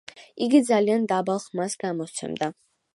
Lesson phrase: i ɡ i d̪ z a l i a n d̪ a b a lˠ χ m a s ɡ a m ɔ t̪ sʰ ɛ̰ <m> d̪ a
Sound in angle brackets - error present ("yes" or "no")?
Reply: no